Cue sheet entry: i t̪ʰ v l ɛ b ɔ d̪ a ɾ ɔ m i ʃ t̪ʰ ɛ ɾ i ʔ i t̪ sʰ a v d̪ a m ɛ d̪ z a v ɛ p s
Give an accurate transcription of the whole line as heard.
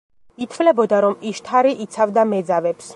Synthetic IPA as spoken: i t̪ʰ v l ɛ b ɔ d̪ a ɾ ɔ m i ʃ t̪ʰ a ɾ i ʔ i t̪ sʰ a v d̪ a m ɛ d̪ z a v ɛ p s